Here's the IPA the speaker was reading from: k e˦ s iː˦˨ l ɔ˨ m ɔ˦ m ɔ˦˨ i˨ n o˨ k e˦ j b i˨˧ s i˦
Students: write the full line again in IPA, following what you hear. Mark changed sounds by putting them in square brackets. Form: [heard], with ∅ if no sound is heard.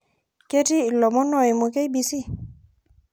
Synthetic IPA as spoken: k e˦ [t] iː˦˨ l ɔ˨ m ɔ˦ [n] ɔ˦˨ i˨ [m] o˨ k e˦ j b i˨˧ s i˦